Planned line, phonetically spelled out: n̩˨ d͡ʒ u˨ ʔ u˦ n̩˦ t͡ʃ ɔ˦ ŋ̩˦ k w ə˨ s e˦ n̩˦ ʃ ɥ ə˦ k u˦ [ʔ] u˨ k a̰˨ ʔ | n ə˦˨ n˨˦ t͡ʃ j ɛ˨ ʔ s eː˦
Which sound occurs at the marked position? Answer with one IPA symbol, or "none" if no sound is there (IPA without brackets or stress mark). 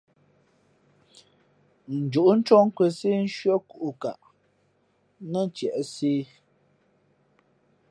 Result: ʔ